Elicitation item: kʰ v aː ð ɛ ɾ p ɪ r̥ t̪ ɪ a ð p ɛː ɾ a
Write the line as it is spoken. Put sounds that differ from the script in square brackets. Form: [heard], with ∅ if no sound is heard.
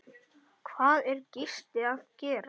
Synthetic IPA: kʰ v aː ð ɛ ɾ [c] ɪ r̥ t̪ ɪ a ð [c] ɛː ɾ a